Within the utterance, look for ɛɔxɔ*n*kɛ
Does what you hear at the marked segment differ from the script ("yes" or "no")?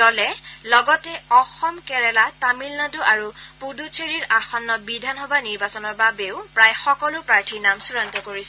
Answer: yes